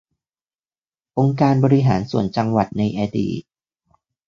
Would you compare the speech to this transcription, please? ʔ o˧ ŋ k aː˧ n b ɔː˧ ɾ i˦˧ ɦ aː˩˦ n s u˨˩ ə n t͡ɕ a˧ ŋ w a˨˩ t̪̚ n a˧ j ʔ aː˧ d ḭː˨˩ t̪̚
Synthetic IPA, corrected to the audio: ʔ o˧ ŋ k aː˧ n b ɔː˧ ɾ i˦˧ ɦ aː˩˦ n s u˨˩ ə n t͡ɕ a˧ ŋ w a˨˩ t̪̚ n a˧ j ʔ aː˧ d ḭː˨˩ t̪̚